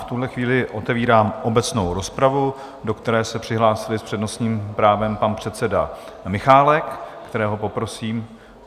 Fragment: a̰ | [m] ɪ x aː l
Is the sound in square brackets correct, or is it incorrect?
correct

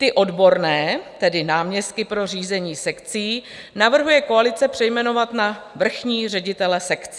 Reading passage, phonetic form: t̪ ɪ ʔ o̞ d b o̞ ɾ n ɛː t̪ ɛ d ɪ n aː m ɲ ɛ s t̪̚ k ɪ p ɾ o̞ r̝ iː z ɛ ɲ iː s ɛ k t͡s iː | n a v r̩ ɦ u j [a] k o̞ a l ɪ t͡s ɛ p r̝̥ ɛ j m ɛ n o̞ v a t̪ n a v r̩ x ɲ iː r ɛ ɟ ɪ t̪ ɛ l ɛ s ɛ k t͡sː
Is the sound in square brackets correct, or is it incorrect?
incorrect: ɛ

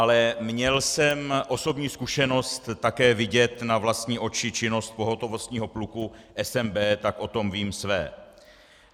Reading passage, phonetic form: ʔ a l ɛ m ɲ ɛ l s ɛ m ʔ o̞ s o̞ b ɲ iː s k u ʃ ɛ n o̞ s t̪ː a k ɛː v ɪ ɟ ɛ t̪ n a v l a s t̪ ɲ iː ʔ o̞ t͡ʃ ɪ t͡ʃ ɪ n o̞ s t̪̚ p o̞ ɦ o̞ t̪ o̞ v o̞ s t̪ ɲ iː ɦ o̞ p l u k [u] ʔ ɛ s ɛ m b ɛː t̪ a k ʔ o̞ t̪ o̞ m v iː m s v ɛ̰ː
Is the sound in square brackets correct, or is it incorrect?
correct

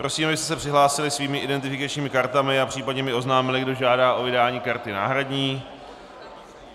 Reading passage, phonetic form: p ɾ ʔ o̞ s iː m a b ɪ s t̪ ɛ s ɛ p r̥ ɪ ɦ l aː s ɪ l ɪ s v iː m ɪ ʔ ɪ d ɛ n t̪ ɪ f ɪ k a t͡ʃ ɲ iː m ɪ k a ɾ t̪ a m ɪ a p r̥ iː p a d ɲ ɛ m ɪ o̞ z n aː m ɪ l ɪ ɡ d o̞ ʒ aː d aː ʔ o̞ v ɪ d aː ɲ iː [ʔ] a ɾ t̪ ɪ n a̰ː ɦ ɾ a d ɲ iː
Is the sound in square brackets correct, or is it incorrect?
incorrect: k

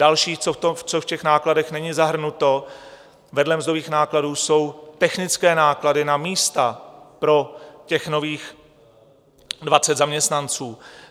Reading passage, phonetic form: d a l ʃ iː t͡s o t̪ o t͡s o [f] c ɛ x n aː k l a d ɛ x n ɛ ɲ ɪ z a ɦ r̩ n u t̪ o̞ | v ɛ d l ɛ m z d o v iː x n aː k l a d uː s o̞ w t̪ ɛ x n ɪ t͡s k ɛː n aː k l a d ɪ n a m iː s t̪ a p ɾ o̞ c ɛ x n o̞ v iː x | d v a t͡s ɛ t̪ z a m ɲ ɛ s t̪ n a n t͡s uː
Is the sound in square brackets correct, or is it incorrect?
correct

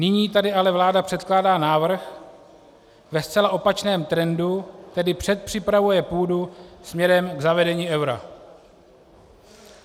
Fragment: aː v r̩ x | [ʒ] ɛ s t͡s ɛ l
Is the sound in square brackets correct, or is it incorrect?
incorrect: v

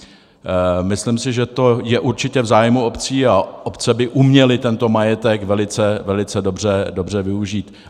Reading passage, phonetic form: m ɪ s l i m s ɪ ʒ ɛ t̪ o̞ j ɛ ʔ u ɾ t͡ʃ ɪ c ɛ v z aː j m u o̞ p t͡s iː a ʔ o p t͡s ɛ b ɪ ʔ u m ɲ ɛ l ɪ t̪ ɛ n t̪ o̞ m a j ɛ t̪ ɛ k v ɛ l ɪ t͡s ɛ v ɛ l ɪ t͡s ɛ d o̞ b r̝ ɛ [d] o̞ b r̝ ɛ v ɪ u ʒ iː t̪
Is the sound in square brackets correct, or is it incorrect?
correct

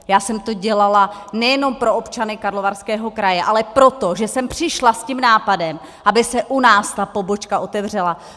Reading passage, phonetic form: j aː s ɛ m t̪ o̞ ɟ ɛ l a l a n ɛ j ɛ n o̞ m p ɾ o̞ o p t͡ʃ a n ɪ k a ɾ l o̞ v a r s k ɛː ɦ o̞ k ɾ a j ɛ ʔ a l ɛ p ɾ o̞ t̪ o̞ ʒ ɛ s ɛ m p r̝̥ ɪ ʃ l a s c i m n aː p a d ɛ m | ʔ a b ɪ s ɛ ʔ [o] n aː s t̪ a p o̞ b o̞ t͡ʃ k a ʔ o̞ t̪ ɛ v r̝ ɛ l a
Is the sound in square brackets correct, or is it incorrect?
incorrect: u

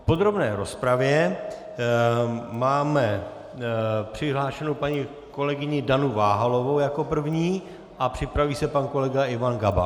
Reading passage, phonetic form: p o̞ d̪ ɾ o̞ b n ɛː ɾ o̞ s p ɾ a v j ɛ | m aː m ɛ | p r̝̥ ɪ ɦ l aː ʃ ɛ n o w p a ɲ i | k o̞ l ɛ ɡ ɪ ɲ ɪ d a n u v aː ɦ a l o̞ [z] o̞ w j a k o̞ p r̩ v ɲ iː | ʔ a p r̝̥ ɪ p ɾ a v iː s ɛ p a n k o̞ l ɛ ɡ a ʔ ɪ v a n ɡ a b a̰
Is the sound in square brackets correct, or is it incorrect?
incorrect: v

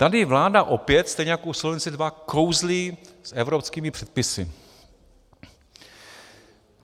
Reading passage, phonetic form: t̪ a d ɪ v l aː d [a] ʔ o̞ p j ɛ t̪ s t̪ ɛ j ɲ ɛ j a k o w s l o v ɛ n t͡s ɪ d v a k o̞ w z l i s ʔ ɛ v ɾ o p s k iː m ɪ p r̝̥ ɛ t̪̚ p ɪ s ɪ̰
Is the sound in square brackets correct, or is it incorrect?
correct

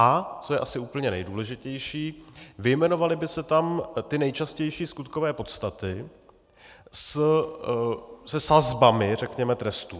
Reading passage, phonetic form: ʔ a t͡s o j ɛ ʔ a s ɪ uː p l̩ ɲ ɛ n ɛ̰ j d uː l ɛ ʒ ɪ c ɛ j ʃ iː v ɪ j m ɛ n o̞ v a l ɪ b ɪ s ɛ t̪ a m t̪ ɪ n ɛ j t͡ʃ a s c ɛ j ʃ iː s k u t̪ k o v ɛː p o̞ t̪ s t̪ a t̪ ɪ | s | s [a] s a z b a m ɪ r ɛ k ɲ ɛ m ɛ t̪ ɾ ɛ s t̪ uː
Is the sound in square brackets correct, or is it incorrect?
incorrect: ɛ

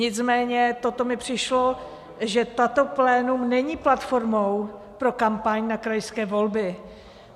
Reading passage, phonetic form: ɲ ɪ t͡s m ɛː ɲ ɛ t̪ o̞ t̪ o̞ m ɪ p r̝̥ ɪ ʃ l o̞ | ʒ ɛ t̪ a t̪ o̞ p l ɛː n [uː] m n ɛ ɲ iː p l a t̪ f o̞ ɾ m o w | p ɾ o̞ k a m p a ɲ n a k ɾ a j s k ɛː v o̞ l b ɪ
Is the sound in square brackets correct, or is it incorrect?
incorrect: u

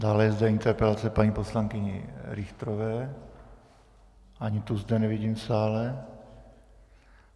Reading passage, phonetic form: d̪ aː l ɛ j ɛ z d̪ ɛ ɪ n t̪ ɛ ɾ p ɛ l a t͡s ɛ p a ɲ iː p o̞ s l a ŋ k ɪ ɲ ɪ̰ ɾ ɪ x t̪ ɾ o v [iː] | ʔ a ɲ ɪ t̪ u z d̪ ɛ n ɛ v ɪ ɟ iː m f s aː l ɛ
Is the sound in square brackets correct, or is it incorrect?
incorrect: ɛː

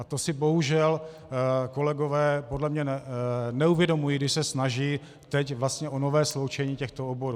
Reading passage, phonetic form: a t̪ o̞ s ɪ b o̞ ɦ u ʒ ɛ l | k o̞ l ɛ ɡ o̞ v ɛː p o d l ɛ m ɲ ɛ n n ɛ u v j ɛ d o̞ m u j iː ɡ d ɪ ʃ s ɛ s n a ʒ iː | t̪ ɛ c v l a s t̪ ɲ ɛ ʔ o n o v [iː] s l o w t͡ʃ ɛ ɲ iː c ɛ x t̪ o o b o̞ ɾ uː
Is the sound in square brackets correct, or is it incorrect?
incorrect: ɛː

